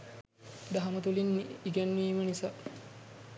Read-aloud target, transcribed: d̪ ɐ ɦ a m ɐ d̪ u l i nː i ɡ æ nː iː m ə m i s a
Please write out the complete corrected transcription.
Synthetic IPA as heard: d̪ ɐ ɦ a m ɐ t̪ u l i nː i ɡ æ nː iː m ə n i s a